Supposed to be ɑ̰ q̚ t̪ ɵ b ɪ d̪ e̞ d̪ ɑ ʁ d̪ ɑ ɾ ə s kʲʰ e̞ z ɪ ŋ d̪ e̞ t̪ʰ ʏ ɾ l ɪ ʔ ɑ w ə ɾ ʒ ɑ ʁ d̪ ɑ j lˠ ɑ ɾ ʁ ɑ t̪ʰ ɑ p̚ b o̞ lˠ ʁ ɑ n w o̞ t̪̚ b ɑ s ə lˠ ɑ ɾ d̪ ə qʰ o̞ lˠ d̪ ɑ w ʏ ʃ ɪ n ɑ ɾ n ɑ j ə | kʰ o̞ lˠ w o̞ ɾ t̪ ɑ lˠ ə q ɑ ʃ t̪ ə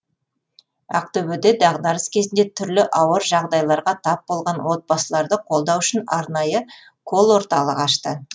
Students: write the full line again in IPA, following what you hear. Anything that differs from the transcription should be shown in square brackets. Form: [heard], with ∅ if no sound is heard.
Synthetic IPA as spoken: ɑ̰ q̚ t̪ ɵ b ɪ d̪ e̞ d̪ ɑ ʁ d̪ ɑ ɾ ə s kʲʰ e̞ z ɪ [n] d̪ e̞ t̪ʰ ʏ ɾ l ɪ ʔ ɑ w ə ɾ ʒ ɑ ʁ d̪ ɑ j lˠ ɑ ɾ ʁ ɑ t̪ʰ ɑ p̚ b o̞ lˠ ʁ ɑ n w o̞ t̪̚ b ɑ s ə lˠ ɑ ɾ d̪ ə qʰ o̞ lˠ d̪ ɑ w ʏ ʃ ɪ n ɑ ɾ n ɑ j ə | kʰ o̞ lˠ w o̞ ɾ t̪ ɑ lˠ ə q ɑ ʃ t̪ ə